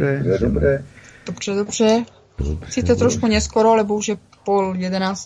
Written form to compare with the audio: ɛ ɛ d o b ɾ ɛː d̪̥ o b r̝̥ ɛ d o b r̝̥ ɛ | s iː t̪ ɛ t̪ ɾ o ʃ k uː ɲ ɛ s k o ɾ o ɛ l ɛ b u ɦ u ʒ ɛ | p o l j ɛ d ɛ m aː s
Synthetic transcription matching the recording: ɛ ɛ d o b ɾ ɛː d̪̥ o b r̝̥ ɛ d o b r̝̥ ɛ | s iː t̪ ɛ t̪ ɾ o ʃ k u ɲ ɛ s k o ɾ o a l ɛ b o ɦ u ʒ ɛ | p o l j ɛ d ɛ n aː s